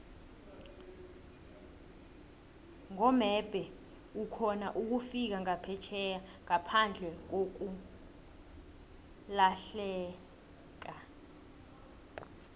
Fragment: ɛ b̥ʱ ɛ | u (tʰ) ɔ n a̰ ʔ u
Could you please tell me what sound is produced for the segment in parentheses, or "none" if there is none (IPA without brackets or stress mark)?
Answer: kʰ